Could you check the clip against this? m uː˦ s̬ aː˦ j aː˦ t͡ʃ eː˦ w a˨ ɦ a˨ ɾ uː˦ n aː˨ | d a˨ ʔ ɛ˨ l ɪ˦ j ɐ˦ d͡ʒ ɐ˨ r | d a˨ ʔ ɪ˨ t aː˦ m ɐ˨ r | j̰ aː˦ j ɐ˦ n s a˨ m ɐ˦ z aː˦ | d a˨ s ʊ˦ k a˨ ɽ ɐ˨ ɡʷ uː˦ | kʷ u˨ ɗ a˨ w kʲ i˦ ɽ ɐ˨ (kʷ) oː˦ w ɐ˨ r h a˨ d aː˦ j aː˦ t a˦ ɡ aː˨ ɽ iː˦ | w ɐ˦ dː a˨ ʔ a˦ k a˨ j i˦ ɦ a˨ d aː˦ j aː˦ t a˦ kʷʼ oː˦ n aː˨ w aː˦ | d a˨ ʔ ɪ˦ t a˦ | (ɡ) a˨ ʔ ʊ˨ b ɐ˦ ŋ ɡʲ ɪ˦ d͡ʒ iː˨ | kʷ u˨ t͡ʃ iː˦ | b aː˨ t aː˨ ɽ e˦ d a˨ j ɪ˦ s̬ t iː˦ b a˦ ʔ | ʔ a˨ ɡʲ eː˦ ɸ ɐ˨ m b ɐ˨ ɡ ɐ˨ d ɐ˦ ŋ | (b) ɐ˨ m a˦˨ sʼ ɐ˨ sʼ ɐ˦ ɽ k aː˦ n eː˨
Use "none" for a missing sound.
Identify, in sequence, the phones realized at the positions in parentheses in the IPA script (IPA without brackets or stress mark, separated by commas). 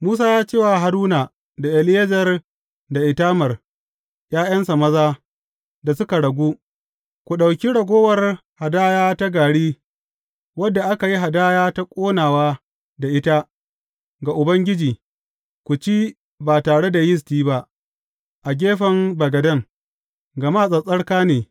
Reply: ɡʷ, ɡ, ɡ